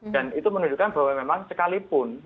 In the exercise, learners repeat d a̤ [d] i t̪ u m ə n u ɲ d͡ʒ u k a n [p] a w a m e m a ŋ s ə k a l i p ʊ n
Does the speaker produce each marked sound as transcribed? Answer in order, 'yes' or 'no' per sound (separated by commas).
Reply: no, no